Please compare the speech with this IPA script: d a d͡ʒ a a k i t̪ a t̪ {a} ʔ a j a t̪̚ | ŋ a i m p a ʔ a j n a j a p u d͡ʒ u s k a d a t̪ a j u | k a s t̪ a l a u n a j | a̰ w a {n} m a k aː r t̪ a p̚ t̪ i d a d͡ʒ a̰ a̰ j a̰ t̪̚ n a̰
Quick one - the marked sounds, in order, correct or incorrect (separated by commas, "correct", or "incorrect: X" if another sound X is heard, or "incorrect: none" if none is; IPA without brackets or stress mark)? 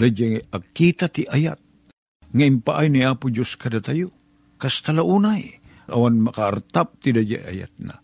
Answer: incorrect: i, correct